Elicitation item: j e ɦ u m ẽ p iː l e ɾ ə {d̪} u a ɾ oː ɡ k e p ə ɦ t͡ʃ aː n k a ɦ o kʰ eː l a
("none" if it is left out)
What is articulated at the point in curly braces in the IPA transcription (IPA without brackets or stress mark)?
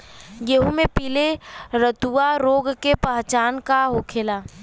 t̪